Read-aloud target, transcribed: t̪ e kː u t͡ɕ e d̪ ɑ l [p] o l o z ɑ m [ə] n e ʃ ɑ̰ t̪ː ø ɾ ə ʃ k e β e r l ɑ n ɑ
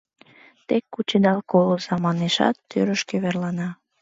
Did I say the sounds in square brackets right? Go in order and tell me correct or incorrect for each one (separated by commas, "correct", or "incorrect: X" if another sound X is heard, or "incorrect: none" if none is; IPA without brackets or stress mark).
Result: incorrect: k, incorrect: ɑ